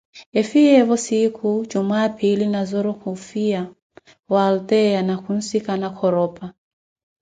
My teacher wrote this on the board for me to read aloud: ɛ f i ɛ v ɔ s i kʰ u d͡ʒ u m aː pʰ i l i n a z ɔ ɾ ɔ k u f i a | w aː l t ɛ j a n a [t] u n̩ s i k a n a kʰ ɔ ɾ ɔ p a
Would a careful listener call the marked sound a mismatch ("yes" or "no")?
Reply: yes